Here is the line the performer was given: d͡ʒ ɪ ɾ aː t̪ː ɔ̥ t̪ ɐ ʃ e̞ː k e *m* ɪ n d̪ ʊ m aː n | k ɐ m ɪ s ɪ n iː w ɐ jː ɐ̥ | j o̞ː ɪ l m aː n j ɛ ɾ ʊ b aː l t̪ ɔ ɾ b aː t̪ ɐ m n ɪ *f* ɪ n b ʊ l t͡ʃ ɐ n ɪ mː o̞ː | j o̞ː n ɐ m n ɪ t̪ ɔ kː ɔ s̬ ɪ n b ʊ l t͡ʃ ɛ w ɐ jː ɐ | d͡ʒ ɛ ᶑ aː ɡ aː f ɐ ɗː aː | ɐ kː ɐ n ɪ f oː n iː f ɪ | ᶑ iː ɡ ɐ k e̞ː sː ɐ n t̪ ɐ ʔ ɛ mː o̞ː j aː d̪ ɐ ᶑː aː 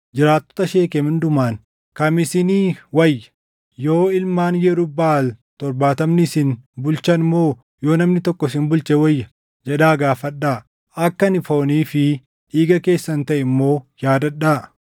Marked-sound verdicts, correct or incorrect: correct, incorrect: s

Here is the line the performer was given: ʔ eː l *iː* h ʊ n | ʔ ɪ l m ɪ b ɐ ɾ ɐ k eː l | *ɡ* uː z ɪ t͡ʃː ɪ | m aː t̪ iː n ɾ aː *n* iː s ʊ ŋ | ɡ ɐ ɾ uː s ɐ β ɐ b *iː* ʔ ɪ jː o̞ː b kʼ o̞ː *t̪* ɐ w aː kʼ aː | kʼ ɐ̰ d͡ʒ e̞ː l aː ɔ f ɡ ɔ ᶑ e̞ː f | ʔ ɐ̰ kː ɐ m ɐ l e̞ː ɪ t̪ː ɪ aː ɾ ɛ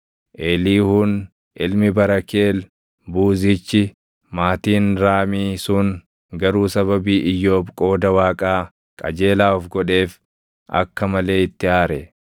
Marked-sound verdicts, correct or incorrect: correct, incorrect: b, incorrect: m, correct, incorrect: d̪

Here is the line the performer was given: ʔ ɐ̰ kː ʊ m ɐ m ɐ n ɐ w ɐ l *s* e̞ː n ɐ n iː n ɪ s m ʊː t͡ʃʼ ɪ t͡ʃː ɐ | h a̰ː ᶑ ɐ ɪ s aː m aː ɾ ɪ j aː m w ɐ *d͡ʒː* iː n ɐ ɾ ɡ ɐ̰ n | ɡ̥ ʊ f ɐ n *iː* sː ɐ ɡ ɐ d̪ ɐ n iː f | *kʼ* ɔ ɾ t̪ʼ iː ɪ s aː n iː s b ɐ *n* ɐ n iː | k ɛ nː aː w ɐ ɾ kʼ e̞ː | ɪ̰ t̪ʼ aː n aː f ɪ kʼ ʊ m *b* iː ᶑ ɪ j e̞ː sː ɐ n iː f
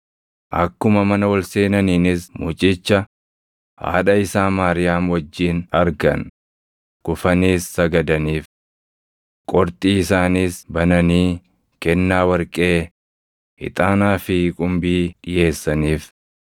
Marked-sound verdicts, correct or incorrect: correct, correct, correct, correct, correct, correct

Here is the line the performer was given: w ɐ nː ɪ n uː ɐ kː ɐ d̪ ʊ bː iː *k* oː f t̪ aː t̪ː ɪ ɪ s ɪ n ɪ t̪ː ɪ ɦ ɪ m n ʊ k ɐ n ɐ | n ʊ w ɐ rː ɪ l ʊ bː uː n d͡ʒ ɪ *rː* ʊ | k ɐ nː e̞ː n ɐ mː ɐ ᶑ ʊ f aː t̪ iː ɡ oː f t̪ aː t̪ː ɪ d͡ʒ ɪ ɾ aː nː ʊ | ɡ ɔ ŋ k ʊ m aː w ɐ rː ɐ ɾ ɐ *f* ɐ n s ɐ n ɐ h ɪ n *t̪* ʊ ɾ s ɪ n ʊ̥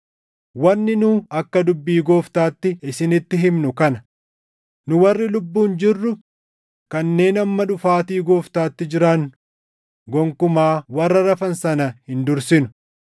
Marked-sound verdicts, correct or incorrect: incorrect: ɡ, correct, correct, incorrect: d̪

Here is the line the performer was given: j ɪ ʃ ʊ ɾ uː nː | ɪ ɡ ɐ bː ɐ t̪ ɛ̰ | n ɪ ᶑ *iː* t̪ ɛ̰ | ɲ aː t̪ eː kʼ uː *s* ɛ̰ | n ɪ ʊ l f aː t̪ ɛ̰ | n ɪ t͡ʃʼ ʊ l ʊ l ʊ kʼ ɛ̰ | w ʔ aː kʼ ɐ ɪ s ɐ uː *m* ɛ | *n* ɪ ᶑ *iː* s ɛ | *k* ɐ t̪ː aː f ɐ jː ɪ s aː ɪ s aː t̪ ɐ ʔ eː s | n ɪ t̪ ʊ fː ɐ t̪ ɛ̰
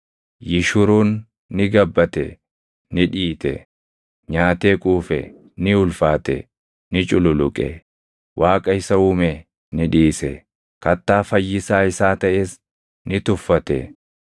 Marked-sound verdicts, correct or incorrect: correct, incorrect: f, correct, correct, correct, correct

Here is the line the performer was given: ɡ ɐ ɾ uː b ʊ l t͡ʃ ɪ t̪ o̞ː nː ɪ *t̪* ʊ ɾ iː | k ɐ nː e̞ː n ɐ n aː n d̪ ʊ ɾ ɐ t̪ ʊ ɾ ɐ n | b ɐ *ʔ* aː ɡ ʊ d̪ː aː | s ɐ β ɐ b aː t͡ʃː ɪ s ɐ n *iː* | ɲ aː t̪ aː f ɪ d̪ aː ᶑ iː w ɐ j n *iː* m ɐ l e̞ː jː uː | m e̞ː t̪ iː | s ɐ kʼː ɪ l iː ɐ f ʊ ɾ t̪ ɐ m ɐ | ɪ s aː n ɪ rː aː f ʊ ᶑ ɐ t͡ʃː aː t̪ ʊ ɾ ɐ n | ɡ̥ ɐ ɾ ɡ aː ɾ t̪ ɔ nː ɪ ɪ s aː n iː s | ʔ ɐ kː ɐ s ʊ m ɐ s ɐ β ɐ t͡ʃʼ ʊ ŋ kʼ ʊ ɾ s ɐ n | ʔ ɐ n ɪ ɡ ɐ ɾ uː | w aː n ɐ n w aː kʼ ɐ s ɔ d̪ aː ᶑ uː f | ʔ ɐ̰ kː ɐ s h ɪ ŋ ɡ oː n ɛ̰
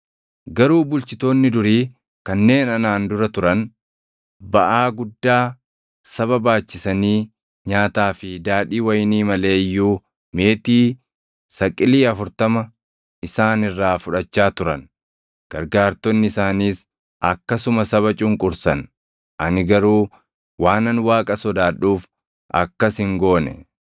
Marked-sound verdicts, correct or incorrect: incorrect: d̪, correct, correct, correct

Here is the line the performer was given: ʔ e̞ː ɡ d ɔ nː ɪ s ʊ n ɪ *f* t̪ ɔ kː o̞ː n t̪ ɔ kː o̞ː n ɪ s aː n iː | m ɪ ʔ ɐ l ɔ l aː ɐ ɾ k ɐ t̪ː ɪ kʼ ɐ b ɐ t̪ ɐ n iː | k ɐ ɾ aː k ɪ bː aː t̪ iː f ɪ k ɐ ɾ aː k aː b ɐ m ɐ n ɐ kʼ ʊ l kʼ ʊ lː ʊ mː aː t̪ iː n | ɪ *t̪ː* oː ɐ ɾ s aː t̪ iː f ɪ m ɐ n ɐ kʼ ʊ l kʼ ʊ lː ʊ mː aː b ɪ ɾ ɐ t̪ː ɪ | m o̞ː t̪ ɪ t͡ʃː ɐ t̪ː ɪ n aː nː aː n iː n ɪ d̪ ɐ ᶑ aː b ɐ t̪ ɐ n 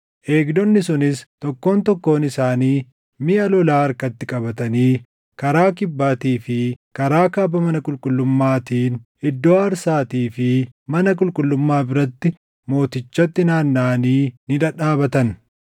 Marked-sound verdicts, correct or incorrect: incorrect: s, incorrect: d̪ː

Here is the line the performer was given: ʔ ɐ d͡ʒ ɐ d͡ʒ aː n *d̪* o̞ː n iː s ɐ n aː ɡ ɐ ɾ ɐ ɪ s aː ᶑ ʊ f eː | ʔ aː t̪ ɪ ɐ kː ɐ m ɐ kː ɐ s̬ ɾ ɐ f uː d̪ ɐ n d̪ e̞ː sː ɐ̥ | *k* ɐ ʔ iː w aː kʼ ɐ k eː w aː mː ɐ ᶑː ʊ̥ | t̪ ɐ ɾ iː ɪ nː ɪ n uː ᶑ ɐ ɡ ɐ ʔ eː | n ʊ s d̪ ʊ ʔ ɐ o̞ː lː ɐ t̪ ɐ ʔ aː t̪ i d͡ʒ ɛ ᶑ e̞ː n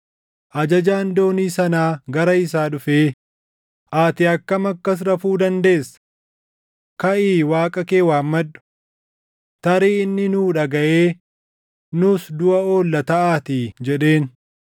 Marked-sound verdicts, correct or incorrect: correct, correct

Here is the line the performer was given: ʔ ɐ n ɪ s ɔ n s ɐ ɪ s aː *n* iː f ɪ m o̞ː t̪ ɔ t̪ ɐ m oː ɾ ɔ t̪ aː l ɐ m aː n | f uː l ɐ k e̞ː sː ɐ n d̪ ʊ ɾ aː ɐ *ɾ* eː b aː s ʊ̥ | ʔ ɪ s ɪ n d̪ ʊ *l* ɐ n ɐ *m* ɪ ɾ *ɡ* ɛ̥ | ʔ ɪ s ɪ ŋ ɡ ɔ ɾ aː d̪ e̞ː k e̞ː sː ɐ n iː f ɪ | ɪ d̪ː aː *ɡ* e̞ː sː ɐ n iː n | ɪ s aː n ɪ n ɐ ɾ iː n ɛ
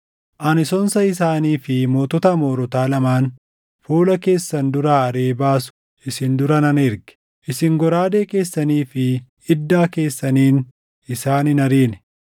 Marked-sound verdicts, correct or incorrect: correct, correct, incorrect: ɾ, incorrect: n, correct, incorrect: k

